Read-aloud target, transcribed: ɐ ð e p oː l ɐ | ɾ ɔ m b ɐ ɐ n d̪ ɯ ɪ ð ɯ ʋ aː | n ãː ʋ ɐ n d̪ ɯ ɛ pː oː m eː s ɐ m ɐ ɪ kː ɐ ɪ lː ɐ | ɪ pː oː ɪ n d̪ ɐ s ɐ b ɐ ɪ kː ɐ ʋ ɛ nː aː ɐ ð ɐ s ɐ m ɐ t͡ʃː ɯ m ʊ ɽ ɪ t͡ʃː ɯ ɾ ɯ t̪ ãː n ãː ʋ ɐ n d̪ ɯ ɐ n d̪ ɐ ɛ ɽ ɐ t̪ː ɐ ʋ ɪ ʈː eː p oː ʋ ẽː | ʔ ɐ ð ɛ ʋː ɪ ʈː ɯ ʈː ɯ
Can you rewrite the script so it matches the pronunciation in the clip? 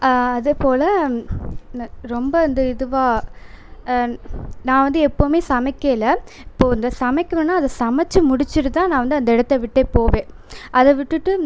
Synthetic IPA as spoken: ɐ ð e p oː l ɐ | ɾ ɔ m b ɐ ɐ n d̪ ɯ ɪ ð ɯ ʋ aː | n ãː ʋ ɐ n d̪ ɯ ɛ pː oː m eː s ɐ m ɐ ɪ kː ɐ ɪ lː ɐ | ɪ pː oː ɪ n d̪ ɐ s ɐ m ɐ ɪ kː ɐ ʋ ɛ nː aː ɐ ð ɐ s ɐ m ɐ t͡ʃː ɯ m ʊ ɽ ɪ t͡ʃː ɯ ɾ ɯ t̪ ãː n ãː ʋ ɐ n d̪ ɯ ɐ n d̪ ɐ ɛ ɽ ɐ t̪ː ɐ ʋ ɪ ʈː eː p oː ʋ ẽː | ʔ ɐ ð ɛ ʋ ɪ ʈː ɯ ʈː ɯ